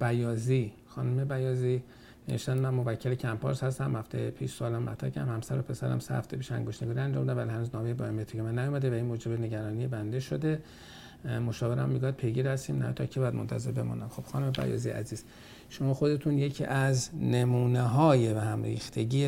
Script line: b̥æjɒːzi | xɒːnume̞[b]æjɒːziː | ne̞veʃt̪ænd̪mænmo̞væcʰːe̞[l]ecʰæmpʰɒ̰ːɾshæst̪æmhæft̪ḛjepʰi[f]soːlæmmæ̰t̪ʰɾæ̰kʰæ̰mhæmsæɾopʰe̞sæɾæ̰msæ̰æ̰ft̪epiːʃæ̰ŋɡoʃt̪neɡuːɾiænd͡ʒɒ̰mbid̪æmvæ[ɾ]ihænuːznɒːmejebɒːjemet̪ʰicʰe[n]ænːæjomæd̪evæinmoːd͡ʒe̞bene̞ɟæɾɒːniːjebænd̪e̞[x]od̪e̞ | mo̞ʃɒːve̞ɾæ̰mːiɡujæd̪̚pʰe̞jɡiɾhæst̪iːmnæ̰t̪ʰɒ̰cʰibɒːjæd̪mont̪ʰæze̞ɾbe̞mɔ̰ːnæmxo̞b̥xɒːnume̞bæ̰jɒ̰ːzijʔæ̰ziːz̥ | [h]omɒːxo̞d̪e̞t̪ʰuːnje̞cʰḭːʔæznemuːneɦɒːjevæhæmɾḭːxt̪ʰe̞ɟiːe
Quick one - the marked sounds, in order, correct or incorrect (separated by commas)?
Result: correct, correct, incorrect, incorrect, incorrect, incorrect, incorrect